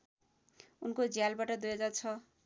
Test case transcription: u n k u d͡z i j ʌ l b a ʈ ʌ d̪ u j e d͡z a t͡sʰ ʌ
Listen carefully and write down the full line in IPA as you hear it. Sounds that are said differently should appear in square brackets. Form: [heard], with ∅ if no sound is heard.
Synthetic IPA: u n k [o] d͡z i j [a] l b a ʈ ʌ d̪ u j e d͡z a t͡sʰ ʌ